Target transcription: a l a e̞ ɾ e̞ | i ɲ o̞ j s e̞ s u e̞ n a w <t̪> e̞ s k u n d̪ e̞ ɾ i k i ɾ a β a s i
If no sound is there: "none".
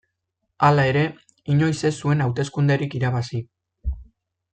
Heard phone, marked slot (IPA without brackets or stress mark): t̪